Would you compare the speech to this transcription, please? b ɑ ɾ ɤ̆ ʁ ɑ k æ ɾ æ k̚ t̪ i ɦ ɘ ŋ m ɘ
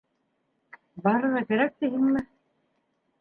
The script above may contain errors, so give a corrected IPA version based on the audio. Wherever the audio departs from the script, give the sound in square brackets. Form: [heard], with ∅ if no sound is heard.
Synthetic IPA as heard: b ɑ ɾ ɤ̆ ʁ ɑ k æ ɾ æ k̚ t̪ i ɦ ɘ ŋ m ɘ